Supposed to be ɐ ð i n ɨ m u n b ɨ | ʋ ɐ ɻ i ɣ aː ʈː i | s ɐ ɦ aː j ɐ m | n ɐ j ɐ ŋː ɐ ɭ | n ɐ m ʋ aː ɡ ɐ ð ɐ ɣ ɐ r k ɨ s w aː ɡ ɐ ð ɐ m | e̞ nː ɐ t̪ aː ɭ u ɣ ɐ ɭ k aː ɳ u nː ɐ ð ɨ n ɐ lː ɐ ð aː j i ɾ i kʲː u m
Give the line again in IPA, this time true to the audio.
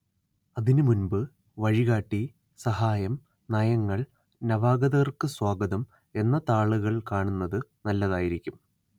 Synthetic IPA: ɐ ð i n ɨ m u n b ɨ | ʋ ɐ ɻ i ɣ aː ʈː i | s ɐ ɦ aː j ɐ m | n ɐ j ɐ ŋː ɐ ɭ | n ɐ ʋ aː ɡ ɐ ð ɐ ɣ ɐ r k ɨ s w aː ɡ ɐ ð ɐ m | e̞ nː ɐ t̪ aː ɭ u ɣ ɐ ɭ k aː ɳ u nː ɐ ð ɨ n ɐ lː ɐ ð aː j i ɾ i kʲː u m